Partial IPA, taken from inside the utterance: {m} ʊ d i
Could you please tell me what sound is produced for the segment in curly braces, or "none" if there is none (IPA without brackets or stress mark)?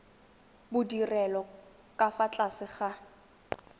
b